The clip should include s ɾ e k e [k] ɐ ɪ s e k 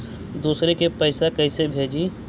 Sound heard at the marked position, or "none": p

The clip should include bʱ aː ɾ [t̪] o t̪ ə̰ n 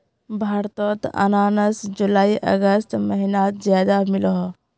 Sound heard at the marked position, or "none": t̪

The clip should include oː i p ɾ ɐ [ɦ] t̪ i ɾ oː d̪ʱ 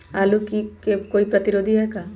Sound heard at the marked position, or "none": none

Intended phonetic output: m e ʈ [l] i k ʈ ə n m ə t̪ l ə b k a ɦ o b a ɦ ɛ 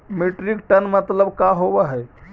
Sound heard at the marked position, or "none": ɾ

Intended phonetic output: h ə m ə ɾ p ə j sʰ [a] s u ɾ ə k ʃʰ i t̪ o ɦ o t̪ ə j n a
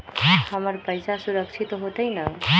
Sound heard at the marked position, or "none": a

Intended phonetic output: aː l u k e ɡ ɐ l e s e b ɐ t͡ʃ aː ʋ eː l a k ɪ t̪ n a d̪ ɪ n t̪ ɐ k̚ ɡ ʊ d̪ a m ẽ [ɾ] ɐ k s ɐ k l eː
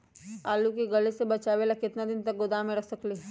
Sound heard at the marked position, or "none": ɾ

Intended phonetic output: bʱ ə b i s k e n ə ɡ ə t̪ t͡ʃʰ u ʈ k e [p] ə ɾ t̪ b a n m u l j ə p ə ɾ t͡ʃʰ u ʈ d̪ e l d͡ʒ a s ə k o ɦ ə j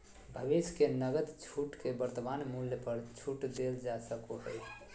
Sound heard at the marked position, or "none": b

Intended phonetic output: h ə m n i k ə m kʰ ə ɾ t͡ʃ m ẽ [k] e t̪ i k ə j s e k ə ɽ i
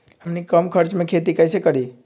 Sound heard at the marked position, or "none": kʰ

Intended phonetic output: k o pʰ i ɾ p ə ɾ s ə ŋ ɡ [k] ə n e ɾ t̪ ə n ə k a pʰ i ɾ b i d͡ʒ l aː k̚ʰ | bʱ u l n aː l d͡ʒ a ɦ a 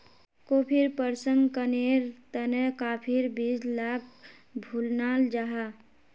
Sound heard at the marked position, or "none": k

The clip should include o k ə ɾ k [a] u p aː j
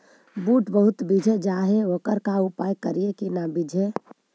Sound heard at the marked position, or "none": a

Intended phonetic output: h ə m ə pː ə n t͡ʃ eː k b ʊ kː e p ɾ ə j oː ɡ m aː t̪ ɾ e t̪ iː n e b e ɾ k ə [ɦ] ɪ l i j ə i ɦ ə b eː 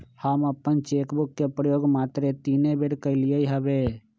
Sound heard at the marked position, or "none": none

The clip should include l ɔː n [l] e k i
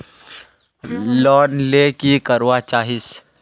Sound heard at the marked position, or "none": l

